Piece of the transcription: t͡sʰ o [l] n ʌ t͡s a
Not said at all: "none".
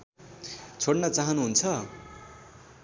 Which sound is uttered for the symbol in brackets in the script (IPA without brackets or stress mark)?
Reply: ɽ